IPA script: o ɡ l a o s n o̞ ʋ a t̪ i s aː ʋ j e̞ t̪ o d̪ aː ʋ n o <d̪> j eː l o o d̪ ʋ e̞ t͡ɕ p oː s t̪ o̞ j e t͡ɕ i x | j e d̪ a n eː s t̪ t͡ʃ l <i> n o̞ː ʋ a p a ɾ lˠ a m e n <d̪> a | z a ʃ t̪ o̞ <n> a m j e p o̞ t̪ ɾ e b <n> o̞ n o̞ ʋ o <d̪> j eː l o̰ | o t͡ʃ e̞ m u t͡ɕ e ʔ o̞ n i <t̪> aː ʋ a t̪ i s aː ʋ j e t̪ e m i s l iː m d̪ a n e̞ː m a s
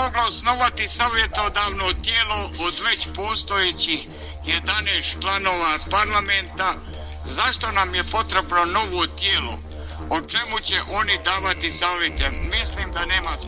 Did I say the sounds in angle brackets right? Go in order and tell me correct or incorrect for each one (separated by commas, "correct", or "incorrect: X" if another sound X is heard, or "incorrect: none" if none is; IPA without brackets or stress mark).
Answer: incorrect: t̪, incorrect: a, incorrect: t̪, correct, correct, incorrect: t̪, incorrect: d̪